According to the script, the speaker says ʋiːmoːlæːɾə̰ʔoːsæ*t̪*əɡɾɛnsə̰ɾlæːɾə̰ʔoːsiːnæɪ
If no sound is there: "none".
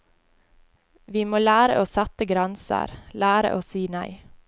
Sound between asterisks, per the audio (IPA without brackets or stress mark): t̪